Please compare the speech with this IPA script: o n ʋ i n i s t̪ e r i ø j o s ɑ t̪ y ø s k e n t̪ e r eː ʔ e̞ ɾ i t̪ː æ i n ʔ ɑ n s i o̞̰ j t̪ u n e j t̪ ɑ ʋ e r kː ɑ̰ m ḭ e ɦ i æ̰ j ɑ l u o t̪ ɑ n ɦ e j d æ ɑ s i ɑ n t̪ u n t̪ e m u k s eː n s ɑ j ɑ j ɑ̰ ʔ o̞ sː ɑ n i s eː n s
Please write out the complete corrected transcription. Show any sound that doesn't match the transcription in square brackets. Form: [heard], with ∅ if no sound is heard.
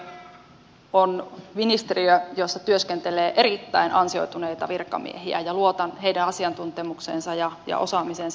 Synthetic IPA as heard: o n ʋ i n i s t̪ e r i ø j o [sː] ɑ t̪ y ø s k e n t̪ e [l] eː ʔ e̞ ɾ i t̪ː æ i n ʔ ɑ n s i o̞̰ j t̪ u n e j t̪ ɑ ʋ [i] r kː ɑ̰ m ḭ e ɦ i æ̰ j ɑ l u o t̪ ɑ n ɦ e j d æ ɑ s i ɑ n t̪ u n t̪ e m u k s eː n s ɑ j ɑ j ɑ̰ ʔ o̞ [s] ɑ [m] i s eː n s